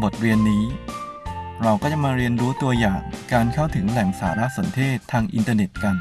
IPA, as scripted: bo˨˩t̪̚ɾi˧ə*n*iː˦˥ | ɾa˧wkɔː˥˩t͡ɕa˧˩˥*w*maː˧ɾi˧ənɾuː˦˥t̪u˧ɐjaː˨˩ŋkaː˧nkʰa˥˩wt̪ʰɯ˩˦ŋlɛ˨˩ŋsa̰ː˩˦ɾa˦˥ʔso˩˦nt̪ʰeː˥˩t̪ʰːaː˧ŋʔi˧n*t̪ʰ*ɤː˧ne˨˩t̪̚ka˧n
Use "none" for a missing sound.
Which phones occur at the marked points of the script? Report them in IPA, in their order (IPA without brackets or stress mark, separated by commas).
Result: nː, none, t̪